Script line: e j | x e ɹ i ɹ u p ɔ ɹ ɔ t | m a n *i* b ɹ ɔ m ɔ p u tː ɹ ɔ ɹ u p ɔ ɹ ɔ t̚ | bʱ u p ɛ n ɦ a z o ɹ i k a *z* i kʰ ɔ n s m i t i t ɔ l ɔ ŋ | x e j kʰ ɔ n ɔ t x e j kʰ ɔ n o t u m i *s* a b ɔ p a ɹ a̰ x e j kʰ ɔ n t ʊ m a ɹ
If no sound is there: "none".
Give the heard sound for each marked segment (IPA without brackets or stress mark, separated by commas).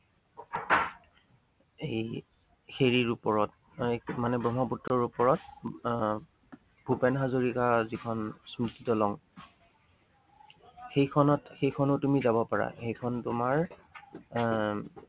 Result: ɛ, z, z